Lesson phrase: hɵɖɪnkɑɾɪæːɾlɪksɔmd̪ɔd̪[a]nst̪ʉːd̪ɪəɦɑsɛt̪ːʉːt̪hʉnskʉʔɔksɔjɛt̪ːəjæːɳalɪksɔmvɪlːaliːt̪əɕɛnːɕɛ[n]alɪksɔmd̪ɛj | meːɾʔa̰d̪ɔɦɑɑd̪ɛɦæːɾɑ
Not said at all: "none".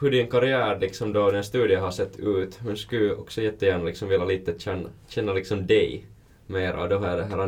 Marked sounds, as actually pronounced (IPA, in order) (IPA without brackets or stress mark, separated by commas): ɛ, nː